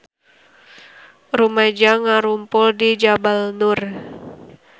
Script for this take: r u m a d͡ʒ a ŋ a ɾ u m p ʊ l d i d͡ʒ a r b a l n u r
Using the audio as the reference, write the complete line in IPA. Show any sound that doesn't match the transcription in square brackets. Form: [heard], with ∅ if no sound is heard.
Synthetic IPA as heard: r u m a d͡ʒ a ŋ a ɾ u m p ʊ l d i d͡ʒ a [∅] b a l n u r